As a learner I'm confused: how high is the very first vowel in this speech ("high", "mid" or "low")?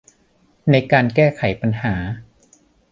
low